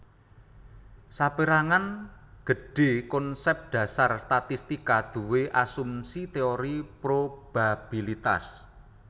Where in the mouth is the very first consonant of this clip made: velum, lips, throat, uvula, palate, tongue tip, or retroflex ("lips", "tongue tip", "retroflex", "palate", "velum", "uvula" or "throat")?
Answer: tongue tip